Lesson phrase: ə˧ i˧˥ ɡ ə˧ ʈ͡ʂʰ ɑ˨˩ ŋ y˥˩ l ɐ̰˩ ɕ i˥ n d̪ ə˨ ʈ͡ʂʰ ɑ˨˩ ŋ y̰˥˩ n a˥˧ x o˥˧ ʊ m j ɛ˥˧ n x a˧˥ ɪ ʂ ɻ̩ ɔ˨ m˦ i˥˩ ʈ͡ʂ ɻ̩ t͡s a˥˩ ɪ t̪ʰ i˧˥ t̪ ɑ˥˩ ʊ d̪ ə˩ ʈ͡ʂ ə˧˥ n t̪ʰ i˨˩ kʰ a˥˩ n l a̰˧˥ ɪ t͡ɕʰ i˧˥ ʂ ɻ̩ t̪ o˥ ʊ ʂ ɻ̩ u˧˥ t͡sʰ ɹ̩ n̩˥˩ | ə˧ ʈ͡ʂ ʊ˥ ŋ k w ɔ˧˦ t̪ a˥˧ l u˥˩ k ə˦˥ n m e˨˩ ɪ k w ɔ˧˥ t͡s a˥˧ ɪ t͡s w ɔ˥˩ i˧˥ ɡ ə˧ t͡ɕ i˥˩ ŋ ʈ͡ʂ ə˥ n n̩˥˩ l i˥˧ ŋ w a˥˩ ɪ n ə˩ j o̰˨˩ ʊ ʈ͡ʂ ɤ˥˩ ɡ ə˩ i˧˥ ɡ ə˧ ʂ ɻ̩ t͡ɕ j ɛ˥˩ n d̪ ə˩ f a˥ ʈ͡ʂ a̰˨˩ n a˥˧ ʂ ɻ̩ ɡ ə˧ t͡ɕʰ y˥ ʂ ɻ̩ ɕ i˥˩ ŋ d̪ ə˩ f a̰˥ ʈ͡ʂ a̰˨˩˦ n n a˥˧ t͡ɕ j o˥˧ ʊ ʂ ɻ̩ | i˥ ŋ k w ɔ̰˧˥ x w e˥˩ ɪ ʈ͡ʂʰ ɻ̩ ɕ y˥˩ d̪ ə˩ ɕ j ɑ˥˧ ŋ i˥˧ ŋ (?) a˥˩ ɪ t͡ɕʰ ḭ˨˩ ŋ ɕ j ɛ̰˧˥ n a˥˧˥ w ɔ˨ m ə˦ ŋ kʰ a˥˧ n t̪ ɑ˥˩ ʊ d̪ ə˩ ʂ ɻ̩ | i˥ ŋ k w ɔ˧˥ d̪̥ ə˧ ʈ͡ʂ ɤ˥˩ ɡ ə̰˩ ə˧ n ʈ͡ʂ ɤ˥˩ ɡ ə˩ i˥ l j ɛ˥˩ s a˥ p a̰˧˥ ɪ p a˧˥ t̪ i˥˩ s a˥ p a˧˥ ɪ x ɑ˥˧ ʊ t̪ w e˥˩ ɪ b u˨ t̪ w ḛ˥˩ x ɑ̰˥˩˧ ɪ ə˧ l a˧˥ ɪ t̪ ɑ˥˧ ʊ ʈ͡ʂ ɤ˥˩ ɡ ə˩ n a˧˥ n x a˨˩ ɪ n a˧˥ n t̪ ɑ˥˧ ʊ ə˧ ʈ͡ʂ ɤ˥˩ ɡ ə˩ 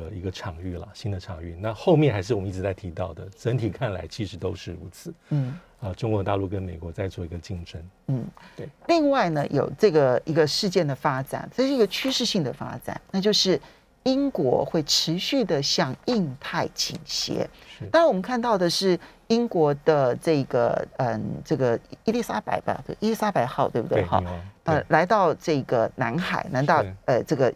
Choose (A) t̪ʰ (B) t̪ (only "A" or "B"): A